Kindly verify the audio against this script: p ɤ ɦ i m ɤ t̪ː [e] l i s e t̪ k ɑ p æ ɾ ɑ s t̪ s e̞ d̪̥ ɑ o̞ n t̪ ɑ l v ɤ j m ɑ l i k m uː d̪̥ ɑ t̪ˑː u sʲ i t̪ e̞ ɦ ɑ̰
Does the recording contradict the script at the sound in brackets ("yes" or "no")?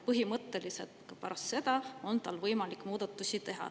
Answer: no